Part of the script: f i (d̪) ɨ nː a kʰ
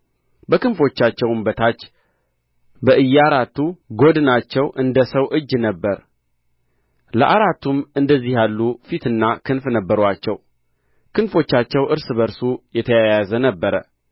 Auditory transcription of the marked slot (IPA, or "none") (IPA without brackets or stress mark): t̪